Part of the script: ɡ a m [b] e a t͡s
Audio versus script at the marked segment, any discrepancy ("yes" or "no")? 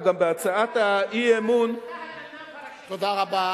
no